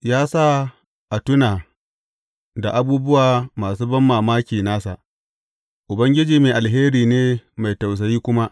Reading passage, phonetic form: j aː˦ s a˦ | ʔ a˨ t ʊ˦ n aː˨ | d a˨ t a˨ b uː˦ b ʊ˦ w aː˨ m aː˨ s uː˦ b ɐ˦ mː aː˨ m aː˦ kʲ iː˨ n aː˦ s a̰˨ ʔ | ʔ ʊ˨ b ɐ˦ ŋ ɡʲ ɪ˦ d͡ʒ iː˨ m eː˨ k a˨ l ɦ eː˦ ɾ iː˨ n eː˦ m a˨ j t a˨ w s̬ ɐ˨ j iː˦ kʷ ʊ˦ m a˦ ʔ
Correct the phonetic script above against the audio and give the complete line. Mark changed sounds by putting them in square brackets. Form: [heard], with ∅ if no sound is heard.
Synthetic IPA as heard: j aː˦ s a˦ | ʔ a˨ t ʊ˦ n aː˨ | d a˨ [ʔ] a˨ b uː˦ b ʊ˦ w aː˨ m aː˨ s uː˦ b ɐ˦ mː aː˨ m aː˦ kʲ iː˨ n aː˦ s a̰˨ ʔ | ʔ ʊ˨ b ɐ˦ ŋ ɡʲ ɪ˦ d͡ʒ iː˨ m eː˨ [ʔ] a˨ l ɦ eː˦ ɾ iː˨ n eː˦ m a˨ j t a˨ w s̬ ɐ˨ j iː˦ kʷ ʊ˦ m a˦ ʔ